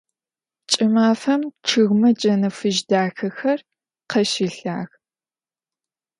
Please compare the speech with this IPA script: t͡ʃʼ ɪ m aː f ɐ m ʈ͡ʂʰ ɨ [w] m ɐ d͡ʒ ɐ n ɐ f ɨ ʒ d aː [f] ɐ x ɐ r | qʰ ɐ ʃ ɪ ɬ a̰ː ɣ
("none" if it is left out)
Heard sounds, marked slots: ɣ, x

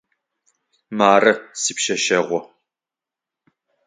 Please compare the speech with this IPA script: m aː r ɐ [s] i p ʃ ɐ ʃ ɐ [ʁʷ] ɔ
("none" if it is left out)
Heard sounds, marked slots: s, ʁʷ

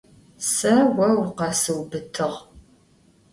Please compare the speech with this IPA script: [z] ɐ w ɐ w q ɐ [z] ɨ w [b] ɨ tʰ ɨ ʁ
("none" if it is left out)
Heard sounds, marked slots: s, s, b

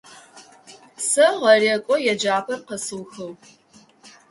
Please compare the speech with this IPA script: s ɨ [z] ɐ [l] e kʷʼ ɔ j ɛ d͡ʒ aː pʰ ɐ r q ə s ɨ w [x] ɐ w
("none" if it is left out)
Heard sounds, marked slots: ʁ, r, x

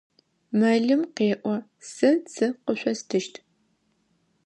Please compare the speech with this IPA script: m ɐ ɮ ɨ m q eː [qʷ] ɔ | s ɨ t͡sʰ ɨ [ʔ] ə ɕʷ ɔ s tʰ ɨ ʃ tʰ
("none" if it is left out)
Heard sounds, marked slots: ʔʷ, q

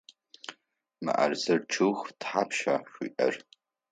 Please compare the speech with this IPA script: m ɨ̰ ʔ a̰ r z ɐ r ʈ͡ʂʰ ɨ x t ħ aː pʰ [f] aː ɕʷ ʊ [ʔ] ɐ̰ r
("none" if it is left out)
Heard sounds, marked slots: ʃ, ʔ

